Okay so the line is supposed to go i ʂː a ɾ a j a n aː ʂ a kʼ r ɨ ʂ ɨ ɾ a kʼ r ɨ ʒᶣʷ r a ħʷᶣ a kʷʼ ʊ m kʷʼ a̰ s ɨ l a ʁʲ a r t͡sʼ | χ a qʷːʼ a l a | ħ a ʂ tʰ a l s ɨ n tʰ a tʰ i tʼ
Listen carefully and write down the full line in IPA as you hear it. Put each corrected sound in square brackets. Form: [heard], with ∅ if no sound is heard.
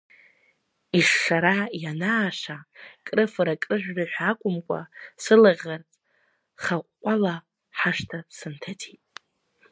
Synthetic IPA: i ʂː a ɾ a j a n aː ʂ a kʼ r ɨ [f] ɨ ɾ a kʼ r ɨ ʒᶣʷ r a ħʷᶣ a kʷʼ ʊ m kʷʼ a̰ s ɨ l a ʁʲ a r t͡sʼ | χ a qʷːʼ a l a | ħ a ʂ tʰ a [∅] s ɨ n tʰ a tʰ i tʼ